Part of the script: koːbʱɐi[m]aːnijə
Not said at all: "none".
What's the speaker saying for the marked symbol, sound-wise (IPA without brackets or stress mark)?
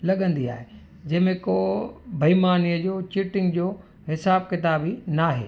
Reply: m